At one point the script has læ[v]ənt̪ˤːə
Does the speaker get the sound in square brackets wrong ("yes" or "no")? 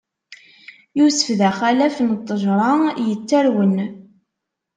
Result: yes